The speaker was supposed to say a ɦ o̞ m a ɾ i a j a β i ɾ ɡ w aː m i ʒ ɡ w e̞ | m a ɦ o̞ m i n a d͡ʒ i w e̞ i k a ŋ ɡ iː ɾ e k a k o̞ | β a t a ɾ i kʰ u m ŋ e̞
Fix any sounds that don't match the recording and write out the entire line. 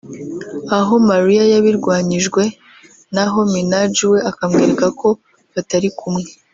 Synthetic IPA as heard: a ɦ o̞ m a ɾ i a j a β i ɾ ɡ w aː ɲ i ʒ ɡ w e̞ | n a ɦ o̞ m i n a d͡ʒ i w e̞ a k a m ɡ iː ɾ e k a k o̞ | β a t a ɾ i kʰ u m ŋ e̞